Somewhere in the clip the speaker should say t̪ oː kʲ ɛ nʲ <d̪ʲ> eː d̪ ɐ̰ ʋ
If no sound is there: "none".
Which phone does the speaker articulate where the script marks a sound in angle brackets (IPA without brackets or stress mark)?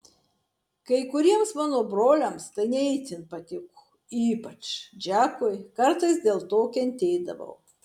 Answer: t̪ʲ